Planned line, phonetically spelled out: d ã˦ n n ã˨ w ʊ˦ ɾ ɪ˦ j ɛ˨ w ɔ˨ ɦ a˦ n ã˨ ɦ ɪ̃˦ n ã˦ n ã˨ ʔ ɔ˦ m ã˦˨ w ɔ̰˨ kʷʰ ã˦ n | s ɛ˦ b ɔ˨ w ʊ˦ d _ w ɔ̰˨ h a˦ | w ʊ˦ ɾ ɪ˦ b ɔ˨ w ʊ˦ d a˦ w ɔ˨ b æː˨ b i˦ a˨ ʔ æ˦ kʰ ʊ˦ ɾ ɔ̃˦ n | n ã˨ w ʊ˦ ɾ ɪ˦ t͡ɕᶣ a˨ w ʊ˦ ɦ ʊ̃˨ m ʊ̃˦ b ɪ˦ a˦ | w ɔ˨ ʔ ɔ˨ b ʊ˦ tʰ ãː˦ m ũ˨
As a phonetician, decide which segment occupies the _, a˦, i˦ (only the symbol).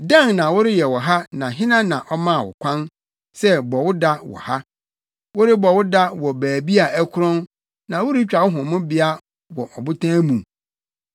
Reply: a˦